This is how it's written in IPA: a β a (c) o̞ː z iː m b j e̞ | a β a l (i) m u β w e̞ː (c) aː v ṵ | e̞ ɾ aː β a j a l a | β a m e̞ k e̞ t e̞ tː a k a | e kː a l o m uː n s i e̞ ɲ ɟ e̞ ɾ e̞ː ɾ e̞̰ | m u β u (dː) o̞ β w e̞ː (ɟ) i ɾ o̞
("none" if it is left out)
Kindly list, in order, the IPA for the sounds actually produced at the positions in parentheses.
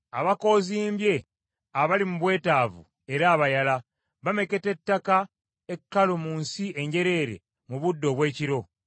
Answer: k, i, t, dː, c

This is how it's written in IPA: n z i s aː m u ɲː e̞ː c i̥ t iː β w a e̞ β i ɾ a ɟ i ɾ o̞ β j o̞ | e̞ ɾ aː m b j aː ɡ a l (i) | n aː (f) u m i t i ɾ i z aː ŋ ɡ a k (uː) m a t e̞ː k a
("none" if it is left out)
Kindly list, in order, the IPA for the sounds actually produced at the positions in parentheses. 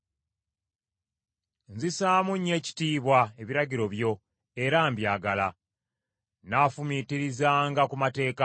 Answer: a, f, u

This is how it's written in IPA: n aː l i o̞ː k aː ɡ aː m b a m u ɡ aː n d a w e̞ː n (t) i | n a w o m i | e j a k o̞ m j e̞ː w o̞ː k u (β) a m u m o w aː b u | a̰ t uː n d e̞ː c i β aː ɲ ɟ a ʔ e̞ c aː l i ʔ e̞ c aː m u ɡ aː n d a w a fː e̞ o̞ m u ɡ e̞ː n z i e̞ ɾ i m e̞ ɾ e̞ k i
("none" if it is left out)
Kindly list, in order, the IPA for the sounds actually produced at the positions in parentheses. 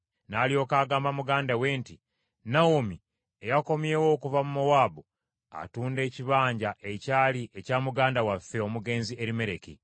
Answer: t, v

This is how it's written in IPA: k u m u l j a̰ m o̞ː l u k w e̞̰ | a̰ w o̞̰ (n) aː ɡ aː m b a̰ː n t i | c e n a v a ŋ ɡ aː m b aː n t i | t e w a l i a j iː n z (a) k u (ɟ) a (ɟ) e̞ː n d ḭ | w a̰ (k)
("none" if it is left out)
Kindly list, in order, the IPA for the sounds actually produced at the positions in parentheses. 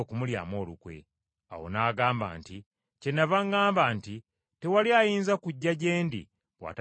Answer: n, a, ɟː, ɟ, t

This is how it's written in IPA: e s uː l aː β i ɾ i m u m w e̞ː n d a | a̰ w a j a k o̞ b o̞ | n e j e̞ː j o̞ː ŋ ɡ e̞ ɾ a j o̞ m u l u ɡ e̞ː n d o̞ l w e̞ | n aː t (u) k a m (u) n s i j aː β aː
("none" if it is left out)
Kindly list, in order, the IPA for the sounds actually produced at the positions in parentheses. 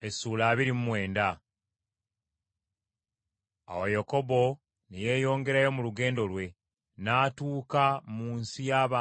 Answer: uː, uː

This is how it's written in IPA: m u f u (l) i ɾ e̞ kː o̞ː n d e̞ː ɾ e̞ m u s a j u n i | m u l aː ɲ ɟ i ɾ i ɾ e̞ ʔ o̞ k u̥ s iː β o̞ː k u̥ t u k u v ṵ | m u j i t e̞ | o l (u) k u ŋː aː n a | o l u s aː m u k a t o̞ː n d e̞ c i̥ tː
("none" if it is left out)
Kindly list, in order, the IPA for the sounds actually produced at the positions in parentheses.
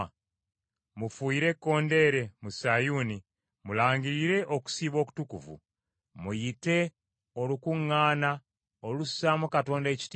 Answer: none, u

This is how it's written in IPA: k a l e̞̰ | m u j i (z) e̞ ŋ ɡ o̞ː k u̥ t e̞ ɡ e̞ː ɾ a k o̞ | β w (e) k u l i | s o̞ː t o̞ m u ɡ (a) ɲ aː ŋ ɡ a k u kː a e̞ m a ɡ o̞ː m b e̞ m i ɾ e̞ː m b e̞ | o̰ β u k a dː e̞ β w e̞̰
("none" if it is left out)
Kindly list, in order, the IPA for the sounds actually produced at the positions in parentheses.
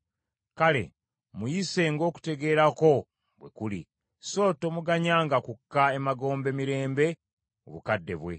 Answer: s, e, a

